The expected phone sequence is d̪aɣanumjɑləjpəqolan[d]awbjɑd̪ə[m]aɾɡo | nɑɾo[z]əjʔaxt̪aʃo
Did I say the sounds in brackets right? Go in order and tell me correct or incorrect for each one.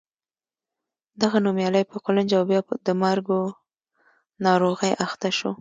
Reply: incorrect, correct, incorrect

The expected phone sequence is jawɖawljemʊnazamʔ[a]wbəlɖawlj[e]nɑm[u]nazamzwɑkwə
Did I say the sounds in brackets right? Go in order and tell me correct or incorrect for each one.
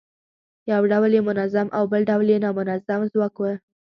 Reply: correct, correct, incorrect

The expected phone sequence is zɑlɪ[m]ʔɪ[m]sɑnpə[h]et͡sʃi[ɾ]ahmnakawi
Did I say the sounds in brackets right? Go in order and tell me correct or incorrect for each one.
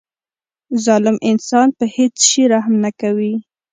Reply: correct, incorrect, correct, correct

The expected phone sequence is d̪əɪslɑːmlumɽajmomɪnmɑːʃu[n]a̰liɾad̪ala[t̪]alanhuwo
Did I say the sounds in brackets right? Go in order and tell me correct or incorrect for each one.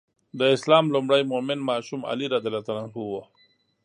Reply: incorrect, correct

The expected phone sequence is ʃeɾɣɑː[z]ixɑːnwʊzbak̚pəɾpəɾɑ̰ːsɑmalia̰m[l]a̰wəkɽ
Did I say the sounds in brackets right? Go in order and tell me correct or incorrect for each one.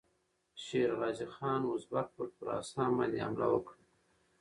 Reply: correct, correct

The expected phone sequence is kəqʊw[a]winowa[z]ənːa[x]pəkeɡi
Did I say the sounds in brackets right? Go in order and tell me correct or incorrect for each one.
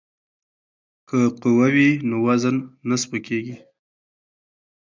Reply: correct, correct, incorrect

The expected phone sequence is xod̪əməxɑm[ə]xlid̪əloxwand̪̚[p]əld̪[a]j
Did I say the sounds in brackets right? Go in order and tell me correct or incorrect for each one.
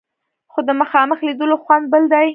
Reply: correct, incorrect, correct

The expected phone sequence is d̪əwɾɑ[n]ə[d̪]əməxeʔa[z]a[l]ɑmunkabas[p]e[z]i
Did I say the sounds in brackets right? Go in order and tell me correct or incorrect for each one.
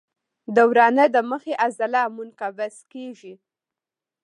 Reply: correct, correct, correct, correct, incorrect, incorrect

